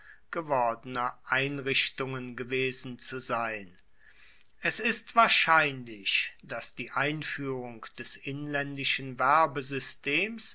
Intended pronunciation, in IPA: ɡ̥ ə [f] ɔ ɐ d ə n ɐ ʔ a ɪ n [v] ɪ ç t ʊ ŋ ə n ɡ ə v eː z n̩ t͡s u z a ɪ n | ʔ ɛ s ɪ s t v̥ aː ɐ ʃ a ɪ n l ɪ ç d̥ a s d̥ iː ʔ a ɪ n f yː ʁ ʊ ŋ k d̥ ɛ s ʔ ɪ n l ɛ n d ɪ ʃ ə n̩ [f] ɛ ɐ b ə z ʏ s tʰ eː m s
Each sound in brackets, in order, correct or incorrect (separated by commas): incorrect, incorrect, incorrect